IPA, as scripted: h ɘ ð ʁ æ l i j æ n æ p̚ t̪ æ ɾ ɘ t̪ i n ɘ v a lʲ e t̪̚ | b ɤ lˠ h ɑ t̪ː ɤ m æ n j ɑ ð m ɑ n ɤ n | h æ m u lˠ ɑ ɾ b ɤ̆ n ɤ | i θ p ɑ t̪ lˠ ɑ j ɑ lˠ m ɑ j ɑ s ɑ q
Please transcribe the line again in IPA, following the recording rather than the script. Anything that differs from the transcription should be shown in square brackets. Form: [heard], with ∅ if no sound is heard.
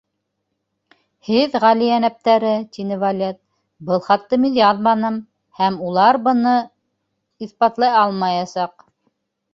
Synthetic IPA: h ɘ ð ʁ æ l i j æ n æ p̚ t̪ æ ɾ ɘ t̪ i n ɘ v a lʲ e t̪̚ | b ɤ lˠ [χ] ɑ t̪ː ɤ m [i] n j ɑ ð m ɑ n ɤ [m] | h æ m u lˠ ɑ ɾ b ɤ̆ n ɤ | i θ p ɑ t̪ lˠ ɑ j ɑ lˠ m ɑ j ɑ s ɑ q